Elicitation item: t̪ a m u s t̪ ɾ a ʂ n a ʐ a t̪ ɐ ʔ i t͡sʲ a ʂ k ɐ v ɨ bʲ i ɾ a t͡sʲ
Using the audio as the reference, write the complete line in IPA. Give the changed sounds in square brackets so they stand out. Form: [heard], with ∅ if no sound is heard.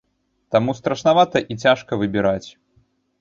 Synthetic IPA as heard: t̪ a m u s t̪ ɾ [ɐ] ʂ n a [v] a t̪ ɐ ʔ i t͡sʲ a ʂ k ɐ v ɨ bʲ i ɾ a t͡sʲ